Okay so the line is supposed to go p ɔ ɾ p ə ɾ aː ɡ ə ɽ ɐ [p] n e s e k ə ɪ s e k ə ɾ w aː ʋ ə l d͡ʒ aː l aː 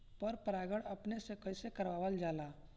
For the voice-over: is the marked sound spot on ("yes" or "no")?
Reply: yes